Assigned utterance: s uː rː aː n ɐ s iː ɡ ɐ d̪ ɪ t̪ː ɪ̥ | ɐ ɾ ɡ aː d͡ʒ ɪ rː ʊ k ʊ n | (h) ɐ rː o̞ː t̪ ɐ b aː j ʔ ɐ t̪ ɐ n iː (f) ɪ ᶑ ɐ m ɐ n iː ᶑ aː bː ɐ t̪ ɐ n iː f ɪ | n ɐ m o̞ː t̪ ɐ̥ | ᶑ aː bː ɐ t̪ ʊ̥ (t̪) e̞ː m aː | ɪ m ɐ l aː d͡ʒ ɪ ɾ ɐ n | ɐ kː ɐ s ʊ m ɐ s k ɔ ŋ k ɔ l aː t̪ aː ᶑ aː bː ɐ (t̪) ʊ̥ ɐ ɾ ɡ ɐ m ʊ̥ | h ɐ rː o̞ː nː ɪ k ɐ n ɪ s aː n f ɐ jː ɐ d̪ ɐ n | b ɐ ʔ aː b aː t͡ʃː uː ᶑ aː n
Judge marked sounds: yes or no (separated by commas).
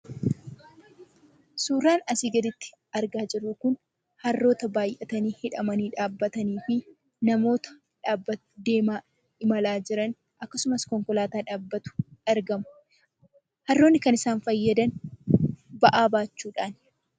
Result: yes, no, no, yes